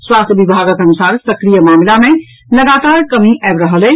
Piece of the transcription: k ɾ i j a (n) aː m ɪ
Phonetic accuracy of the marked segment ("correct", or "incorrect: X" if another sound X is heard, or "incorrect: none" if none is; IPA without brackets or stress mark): incorrect: m